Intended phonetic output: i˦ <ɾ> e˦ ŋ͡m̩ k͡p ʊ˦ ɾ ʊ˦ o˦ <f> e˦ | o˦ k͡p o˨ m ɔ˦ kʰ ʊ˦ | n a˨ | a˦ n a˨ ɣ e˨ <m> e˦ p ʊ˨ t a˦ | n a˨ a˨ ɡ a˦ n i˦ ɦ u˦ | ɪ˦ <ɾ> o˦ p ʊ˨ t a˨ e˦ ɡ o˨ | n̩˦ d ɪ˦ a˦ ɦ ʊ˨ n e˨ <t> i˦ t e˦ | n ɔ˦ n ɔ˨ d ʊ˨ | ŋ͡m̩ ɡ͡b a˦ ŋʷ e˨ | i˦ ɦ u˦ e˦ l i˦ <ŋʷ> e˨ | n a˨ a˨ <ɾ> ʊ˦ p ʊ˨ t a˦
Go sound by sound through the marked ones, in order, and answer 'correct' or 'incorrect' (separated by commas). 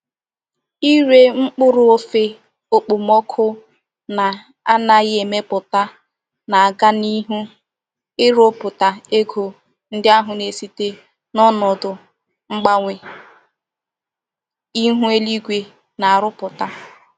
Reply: correct, correct, correct, correct, incorrect, incorrect, correct